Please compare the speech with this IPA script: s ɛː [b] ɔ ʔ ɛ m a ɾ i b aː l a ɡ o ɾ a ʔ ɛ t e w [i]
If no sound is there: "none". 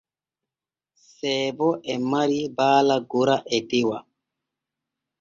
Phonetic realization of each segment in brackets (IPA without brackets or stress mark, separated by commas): b, a